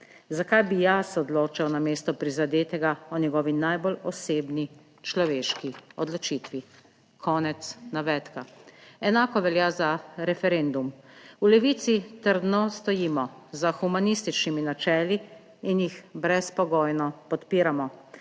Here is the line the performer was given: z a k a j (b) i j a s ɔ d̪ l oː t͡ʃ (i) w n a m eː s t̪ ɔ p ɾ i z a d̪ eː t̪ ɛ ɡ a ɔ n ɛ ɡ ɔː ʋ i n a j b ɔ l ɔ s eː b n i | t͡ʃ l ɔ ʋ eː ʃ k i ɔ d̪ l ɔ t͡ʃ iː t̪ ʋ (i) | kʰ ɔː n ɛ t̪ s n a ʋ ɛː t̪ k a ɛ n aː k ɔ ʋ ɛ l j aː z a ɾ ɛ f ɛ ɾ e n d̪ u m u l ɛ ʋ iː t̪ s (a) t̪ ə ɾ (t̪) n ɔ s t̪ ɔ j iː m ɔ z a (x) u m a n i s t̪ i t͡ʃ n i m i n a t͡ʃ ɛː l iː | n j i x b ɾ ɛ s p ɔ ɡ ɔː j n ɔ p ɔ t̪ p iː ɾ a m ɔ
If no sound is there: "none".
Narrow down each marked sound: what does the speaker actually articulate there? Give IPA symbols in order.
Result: b, a, i, i, d̪, x

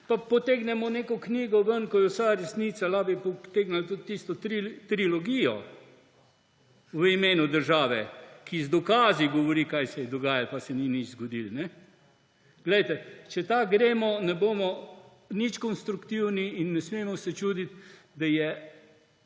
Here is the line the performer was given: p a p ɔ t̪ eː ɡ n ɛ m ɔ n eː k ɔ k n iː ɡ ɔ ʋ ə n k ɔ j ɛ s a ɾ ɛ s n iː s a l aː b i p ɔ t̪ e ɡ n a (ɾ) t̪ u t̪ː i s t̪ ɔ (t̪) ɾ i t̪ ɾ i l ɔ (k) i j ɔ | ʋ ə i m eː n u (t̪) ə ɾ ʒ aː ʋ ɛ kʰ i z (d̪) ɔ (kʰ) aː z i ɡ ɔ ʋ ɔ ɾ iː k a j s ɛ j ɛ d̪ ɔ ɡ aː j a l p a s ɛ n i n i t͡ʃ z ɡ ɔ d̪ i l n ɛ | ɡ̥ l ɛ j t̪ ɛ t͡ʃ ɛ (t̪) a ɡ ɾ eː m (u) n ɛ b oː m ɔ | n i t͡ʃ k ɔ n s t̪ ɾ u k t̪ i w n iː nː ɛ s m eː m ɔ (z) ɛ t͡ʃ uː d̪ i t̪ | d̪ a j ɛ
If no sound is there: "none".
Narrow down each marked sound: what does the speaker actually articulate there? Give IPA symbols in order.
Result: l, t̪, ɡ, d̪, d̪, k, t̪, ɔ, s

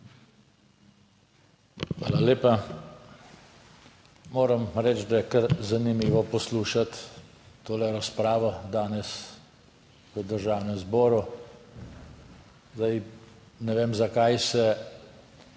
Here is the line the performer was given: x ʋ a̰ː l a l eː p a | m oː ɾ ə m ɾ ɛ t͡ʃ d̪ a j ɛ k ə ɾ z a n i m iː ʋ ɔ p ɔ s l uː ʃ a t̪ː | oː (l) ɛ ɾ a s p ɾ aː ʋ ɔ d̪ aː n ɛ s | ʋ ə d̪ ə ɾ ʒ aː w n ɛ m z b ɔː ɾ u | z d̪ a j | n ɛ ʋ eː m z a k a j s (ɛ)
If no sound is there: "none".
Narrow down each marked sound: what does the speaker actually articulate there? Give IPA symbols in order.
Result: l, ɛ

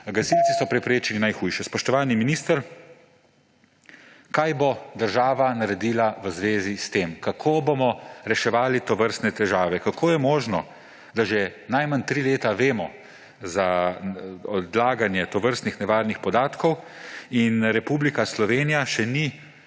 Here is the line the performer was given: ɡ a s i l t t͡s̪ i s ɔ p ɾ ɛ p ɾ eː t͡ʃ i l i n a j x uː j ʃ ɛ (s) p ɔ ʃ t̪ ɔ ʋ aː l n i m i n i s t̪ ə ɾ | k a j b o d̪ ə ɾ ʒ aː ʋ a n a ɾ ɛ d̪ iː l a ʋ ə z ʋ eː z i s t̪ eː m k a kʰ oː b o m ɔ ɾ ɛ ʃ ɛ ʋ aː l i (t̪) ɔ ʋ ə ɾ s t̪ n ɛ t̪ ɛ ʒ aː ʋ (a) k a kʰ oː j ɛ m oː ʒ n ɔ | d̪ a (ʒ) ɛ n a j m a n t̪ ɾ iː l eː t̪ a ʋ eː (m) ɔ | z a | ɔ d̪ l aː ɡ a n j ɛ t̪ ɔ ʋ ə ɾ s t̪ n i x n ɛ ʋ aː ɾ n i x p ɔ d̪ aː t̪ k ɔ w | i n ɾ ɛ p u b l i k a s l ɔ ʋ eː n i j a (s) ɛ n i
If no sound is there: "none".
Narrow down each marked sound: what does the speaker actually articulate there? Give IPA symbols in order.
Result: s, t̪, ɛ, ʒ, m, ʃ

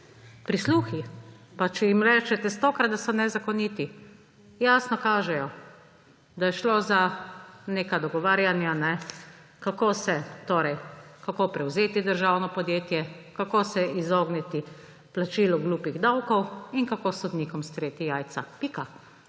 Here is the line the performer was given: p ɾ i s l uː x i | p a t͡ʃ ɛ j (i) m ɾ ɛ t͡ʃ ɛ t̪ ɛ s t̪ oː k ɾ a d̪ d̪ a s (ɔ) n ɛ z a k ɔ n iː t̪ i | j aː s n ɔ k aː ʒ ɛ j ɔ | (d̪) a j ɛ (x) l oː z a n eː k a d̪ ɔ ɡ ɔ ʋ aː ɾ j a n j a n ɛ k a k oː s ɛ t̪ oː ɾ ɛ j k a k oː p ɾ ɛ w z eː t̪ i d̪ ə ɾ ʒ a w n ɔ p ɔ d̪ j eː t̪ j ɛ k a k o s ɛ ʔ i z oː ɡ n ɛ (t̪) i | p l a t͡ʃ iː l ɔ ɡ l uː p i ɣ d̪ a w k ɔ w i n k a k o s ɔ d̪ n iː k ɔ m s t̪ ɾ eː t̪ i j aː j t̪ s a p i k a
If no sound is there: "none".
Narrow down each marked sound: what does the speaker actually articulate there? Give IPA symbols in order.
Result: i, ɔ, d̪, ʃ, t̪

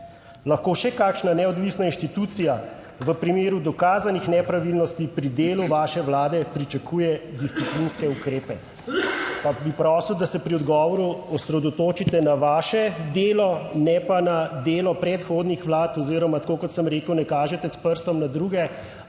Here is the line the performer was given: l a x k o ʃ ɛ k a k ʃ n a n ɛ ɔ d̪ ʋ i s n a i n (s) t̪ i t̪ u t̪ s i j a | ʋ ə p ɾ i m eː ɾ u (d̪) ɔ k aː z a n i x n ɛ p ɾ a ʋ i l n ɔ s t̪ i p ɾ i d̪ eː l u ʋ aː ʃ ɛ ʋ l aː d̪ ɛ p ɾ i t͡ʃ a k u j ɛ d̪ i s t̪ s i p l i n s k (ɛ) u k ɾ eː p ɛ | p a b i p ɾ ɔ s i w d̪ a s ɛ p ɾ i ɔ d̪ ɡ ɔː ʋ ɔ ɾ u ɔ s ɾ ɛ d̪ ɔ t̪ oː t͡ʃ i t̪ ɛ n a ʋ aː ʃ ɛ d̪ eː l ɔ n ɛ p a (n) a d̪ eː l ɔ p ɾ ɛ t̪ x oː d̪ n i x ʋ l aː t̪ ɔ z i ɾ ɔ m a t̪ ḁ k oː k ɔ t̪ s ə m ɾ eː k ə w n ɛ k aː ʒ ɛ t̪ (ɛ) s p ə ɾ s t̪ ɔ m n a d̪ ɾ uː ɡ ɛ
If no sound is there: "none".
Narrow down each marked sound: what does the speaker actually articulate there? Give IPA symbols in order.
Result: ʃ, d̪, ɛ, n, ɛ

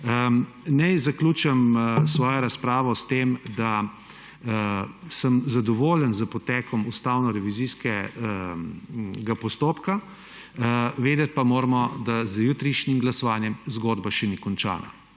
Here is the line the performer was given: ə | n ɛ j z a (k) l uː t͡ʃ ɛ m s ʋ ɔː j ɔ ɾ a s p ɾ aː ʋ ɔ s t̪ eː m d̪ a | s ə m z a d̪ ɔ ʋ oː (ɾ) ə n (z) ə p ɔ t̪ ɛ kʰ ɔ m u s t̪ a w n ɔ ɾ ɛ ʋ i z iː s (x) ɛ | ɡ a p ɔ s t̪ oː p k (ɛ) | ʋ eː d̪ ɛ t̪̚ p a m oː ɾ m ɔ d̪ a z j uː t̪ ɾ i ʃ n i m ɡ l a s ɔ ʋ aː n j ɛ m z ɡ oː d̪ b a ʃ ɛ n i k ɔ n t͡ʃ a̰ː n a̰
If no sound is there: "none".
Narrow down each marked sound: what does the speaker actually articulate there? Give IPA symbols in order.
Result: k, l, z, k, a

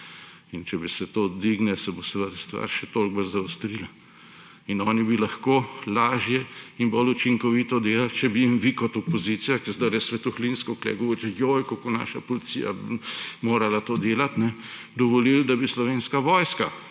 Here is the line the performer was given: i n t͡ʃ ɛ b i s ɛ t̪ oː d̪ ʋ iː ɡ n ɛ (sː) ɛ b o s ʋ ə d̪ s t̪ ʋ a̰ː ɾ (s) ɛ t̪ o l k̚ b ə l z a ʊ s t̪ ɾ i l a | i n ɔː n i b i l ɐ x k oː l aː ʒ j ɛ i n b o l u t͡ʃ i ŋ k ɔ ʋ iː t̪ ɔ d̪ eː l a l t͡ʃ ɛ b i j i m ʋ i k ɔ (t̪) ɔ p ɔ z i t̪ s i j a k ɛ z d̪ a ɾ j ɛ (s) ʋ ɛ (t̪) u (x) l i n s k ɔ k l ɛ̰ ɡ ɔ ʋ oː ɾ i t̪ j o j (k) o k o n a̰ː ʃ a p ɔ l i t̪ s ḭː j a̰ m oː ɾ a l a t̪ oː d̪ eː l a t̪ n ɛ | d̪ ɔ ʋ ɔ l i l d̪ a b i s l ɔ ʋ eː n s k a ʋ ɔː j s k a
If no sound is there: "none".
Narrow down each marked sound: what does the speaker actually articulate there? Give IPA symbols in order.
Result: s, ʃ, t̪, s, t̪, x, k

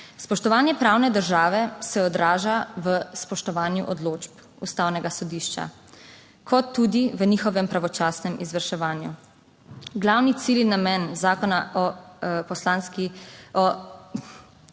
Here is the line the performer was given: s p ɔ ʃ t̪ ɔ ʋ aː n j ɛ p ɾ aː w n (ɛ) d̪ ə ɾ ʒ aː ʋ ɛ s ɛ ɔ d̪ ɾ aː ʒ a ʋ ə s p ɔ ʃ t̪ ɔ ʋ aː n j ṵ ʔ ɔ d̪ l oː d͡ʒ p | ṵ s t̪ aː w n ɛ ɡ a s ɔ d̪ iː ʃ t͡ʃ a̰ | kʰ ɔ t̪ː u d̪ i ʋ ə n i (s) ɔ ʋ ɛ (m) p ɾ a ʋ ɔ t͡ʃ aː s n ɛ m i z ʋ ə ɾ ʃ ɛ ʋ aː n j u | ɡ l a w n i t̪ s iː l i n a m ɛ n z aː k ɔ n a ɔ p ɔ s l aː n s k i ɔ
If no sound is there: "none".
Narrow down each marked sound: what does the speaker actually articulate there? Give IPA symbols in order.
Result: ɛ, x, m

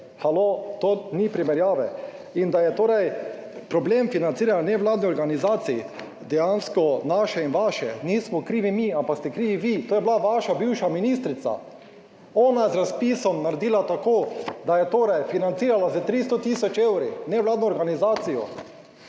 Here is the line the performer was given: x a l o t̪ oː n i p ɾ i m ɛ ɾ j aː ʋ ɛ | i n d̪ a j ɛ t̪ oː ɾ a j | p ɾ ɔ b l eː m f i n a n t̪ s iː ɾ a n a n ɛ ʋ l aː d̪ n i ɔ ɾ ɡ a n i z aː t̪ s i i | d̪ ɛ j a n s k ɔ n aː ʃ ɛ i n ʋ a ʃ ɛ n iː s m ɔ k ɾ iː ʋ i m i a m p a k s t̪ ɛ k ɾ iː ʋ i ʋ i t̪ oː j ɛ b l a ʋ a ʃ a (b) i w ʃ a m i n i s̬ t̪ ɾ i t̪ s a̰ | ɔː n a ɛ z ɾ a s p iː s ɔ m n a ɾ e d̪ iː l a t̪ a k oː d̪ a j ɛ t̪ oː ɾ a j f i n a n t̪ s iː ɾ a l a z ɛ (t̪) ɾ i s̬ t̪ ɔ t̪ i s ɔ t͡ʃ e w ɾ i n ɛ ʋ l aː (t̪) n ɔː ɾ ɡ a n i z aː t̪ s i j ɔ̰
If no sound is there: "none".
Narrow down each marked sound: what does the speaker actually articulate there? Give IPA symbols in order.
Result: b, t̪, d̪

